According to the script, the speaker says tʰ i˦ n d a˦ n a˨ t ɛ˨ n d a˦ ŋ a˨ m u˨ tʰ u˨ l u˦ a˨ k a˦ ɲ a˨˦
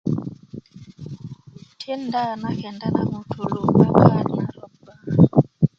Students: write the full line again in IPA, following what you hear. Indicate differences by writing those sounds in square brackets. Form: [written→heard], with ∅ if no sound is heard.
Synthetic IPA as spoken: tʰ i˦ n d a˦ n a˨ [t→k] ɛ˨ n d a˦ [ŋ→n] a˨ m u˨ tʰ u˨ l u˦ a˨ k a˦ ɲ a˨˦